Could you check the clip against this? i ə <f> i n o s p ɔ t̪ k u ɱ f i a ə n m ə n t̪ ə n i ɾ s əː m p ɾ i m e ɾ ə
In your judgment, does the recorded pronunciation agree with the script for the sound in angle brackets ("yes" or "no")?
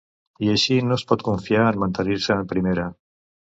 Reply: no